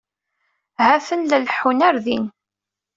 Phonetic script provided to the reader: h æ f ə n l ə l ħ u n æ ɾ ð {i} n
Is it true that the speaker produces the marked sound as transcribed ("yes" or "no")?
yes